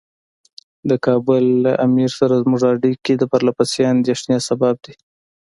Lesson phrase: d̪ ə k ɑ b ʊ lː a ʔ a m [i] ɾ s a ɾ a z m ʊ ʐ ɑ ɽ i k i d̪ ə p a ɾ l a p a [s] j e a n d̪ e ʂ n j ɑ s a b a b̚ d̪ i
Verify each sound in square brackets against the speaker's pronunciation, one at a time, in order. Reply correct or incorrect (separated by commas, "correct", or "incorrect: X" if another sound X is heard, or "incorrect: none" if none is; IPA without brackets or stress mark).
correct, correct